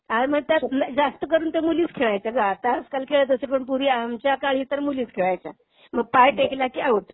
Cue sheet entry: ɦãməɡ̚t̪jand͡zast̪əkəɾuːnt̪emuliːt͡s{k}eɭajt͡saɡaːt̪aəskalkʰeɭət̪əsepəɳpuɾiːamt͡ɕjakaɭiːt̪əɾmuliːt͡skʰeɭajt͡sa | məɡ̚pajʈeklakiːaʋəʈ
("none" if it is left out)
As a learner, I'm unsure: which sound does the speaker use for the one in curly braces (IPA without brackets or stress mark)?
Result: kʰ